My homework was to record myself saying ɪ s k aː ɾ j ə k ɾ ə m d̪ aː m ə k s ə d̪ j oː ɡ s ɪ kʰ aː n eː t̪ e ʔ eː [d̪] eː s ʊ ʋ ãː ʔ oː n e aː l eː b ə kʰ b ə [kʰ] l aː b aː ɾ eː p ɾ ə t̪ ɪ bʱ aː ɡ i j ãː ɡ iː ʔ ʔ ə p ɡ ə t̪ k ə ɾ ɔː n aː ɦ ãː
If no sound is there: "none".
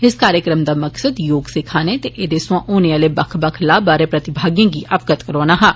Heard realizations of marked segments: d̪, kʰ

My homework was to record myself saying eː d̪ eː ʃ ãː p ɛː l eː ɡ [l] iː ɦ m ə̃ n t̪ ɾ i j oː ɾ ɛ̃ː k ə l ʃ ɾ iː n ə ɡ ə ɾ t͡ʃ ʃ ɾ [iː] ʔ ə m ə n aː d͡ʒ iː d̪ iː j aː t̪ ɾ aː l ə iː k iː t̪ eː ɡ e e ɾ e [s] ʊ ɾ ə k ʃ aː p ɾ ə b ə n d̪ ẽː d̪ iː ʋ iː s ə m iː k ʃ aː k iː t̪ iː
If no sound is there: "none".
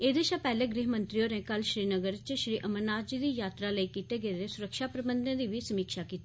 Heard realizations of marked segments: ɾ, iː, s

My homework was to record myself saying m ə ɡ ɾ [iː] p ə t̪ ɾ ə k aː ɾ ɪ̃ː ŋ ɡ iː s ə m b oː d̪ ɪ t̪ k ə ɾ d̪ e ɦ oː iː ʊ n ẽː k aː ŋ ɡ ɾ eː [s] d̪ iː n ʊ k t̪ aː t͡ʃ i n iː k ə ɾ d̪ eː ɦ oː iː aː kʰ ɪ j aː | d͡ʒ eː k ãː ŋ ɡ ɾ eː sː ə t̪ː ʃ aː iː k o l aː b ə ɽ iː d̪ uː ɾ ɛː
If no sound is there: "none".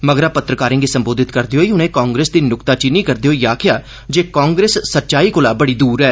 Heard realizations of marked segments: aː, s

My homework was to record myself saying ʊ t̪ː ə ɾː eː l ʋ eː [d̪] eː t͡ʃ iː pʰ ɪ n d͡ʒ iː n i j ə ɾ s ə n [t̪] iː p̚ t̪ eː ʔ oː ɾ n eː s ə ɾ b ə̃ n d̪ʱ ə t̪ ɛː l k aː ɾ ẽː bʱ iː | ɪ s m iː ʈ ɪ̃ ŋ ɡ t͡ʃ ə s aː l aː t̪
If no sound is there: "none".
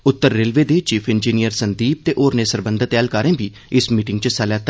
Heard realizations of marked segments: d̪, d̪

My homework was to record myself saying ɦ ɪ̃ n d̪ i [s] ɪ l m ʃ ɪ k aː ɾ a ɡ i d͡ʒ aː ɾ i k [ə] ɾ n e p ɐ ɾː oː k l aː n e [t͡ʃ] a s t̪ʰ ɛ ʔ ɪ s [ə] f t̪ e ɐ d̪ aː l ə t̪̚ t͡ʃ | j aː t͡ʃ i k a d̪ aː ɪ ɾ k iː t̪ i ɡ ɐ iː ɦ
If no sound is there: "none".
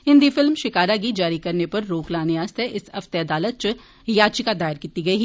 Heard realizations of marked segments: f, ɐ, none, ɐ

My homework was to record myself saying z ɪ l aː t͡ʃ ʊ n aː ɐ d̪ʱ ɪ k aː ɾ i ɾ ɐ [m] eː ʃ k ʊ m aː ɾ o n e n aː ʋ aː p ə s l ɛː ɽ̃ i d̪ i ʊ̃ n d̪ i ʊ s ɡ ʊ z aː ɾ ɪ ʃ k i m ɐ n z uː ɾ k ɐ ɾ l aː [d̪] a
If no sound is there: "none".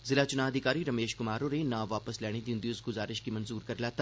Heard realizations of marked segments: m, t̪

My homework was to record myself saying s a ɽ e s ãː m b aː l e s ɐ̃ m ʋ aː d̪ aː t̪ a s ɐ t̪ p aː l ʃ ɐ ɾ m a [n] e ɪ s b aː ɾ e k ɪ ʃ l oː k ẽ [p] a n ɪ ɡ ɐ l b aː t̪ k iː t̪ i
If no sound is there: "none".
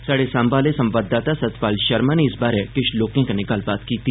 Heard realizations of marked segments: n, k

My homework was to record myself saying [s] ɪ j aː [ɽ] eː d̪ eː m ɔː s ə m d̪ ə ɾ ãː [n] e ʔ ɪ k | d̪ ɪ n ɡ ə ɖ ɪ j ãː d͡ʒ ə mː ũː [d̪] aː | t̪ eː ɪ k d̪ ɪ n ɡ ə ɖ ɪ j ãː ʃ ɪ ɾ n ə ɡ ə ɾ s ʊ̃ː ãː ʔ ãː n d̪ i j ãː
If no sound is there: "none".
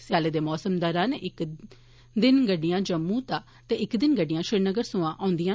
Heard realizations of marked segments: s, l, n, t̪

